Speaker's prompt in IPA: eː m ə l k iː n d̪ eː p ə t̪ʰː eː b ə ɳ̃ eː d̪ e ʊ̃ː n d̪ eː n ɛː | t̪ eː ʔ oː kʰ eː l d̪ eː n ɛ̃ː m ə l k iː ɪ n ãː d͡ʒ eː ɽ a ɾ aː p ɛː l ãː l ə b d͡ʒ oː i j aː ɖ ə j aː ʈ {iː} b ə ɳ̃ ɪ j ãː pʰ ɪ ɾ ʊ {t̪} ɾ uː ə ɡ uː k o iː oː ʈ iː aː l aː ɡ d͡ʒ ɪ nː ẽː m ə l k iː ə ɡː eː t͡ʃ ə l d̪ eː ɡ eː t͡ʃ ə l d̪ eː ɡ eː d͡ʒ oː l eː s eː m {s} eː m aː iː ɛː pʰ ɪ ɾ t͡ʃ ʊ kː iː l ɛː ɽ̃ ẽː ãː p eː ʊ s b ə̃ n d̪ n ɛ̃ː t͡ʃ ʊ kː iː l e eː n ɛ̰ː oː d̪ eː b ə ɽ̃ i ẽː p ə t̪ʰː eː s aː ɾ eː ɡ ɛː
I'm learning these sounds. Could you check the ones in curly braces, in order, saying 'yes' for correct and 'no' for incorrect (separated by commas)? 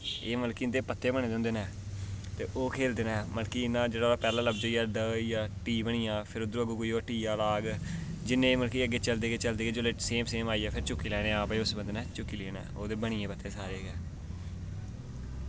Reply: yes, no, yes